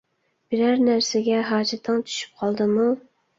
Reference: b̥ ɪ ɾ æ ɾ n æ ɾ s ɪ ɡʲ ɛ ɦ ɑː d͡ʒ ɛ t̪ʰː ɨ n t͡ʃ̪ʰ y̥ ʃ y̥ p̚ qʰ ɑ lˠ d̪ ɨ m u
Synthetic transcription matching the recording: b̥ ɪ ɾ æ ɾ n æ ɾ s ɪ ɡʲ ɛ ɦ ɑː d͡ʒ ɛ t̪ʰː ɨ ŋ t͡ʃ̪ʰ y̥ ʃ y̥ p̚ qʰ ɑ lˠ d̪ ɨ m u